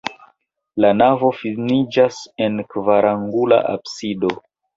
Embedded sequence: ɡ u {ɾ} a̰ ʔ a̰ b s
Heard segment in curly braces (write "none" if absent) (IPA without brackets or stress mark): l